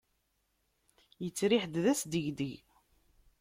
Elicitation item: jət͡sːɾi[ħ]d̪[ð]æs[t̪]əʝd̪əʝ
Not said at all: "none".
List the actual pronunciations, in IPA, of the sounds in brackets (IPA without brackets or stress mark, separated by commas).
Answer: ħ, ð, d̪